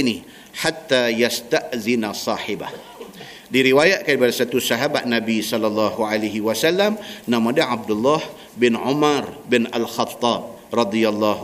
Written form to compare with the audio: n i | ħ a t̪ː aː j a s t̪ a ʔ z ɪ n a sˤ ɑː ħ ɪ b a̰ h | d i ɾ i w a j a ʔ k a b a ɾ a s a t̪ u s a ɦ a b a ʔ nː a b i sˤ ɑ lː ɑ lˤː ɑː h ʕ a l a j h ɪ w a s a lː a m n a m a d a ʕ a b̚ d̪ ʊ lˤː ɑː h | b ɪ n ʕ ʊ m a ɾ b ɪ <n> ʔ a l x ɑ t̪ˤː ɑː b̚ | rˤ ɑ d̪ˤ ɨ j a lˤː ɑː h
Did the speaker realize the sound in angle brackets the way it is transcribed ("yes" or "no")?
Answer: yes